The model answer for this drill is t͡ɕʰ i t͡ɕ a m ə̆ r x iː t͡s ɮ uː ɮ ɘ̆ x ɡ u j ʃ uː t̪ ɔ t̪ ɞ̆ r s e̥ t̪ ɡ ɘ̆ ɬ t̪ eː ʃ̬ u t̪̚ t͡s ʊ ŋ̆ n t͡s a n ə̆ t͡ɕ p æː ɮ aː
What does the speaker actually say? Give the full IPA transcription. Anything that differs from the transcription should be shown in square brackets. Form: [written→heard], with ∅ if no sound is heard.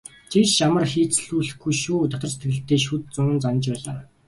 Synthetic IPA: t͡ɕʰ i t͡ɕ a m ə̆ r x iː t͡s ɮ uː ɮ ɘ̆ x ɡ u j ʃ uː t̪ ɔ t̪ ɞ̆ r s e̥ t̪ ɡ ɘ̆ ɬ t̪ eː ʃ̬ u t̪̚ t͡s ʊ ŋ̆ n t͡s a n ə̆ t͡ɕ p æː ɮ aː